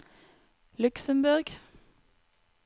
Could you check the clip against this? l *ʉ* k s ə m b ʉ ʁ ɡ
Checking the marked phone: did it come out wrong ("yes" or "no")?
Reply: no